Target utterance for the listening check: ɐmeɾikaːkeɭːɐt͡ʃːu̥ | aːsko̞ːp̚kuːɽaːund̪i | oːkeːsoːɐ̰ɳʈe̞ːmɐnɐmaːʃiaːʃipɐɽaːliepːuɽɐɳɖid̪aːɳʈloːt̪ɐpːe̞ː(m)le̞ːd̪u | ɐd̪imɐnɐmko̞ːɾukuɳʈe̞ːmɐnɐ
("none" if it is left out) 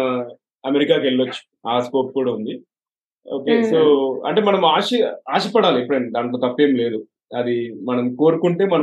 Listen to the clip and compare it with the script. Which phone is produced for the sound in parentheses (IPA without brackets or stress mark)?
m